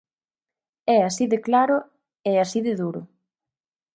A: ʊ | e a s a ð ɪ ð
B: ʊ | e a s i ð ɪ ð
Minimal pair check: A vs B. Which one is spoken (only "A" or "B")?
B